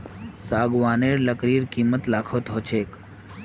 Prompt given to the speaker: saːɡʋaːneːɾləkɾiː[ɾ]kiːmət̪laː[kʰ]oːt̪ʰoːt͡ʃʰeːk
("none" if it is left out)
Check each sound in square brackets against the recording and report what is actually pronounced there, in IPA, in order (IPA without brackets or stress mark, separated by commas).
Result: ɾ, kʰ